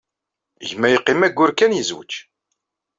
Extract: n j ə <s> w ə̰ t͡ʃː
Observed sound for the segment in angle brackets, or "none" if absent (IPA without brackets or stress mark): z